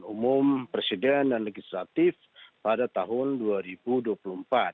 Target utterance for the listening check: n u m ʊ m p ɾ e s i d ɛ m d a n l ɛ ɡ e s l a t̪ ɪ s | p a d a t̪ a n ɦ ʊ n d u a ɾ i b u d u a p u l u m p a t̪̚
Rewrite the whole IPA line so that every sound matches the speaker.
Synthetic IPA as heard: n u m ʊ m p ɾ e s i d ɛ n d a n l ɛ ɡ i s l a t̪ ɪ f | p a d a t̪ a ɦ ʊ n d u a ɾ i b u d u a p u l u m p a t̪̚